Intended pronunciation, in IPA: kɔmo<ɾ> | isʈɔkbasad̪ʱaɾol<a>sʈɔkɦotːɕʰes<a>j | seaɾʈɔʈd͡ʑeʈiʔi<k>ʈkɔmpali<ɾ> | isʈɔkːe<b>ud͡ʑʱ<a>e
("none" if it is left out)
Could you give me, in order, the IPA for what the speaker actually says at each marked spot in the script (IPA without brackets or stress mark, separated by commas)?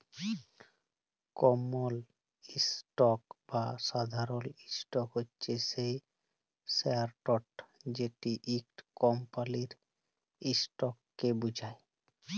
l, i, e, k, ɾ, b, a